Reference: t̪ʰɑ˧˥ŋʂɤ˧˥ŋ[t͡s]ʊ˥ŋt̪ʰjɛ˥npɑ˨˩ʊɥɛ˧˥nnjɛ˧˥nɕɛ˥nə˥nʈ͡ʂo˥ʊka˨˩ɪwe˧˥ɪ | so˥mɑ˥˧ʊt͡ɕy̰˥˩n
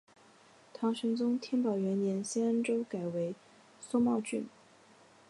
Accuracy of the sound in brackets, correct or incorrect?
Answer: correct